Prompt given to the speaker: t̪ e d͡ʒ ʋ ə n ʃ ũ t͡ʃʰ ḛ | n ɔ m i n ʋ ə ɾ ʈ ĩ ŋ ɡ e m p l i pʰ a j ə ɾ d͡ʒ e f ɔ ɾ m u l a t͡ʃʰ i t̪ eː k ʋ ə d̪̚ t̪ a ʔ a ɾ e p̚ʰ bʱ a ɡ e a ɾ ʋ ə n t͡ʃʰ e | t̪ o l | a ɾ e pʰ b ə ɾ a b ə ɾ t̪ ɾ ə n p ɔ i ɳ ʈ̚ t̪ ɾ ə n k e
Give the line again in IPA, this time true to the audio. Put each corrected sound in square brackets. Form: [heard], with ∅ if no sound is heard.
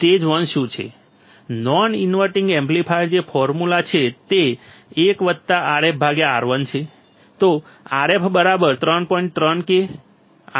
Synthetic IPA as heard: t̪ e d͡ʒ ʋ ə n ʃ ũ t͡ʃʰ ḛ | n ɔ [n] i n ʋ ə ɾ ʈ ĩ ŋ ɡ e m p l i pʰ a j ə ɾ d͡ʒ e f ɔ ɾ m u l a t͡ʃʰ [e] t̪ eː k ʋ ə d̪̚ t̪ a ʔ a ɾ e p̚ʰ bʱ a ɡ e a ɾ ʋ ə n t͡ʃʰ e | t̪ o [∅] | a ɾ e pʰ b ə ɾ a b ə ɾ t̪ ɾ ə n p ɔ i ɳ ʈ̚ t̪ ɾ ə n k e